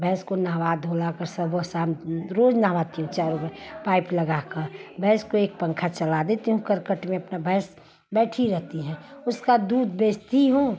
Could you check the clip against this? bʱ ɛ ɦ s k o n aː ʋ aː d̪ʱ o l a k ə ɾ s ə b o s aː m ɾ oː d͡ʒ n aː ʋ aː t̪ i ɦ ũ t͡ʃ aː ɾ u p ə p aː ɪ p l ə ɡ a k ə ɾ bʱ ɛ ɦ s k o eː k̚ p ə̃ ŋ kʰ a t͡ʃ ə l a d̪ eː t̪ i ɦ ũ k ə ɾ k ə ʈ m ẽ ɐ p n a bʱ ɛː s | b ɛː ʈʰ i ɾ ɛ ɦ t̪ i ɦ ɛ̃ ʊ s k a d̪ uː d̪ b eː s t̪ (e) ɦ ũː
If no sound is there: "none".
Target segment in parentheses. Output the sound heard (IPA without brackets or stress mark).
i